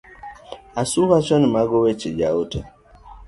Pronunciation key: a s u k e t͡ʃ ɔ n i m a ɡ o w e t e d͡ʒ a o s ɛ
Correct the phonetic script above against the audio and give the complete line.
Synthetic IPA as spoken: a s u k a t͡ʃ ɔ n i m a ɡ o w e t͡ʃ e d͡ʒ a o t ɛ